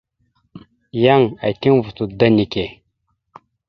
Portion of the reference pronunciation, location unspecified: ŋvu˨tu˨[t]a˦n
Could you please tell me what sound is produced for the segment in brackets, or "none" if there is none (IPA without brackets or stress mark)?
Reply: d